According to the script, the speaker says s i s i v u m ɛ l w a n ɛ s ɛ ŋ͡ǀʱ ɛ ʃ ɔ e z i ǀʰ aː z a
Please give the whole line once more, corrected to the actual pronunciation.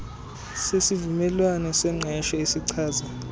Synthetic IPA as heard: s e s i v u m ɛ l w a n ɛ s ɛ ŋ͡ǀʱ ɛ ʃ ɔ e s i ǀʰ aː z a